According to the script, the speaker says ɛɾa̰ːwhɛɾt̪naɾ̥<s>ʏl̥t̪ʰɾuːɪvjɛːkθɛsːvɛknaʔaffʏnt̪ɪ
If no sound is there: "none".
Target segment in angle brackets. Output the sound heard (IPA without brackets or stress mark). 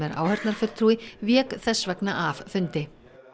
f